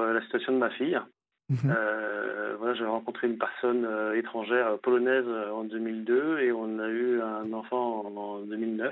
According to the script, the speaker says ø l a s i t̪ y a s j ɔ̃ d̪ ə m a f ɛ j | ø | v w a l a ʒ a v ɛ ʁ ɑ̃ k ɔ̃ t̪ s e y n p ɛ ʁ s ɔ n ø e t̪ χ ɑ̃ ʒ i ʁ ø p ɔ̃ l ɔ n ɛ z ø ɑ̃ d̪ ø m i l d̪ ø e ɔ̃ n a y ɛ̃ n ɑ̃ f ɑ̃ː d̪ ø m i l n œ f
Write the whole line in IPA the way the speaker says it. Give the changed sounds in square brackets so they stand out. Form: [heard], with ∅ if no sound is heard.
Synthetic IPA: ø l a s i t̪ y a s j ɔ̃ d̪ ə m a f [i] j | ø | v w a l a ʒ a v ɛ ʁ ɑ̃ k ɔ̃ t̪ [χ] e y n p ɛ ʁ s ɔ n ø e t̪ χ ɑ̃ ʒ [ɛ] ʁ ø p [ɔ] l ɔ n ɛ z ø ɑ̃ d̪ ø m i l d̪ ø e ɔ̃ n a y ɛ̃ n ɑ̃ f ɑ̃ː d̪ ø m i l n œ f